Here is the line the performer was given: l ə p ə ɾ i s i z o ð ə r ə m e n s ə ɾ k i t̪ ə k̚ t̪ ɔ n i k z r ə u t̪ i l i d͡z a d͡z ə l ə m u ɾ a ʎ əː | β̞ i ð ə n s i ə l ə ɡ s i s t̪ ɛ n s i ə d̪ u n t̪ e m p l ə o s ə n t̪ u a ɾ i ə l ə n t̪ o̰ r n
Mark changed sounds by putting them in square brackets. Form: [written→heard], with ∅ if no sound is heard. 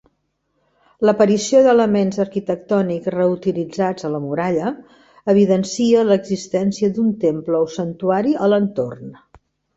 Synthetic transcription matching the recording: l ə p ə ɾ i s i [z→∅] o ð ə [r→l] ə m e n [s→z] ə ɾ k i t̪ ə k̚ t̪ ɔ n i k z r ə u t̪ i l i d͡z a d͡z ə l ə m u ɾ a ʎ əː | β̞ i ð ə n s i ə l ə ɡ [s→z] i s t̪ ɛ n s i ə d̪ u n t̪ e m p l ə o s ə n t̪ u a ɾ i ə l ə n t̪ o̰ r n